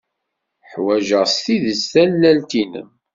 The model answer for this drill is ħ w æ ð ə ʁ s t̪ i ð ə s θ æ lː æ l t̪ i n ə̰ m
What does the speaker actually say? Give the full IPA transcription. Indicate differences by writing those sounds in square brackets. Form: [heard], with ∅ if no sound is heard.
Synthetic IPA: ħ w æ [ʒ] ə ʁ s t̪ i ð ə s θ æ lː æ l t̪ i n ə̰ m